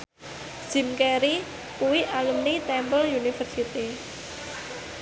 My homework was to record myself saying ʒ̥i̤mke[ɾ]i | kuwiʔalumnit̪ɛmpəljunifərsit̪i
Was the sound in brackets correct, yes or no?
yes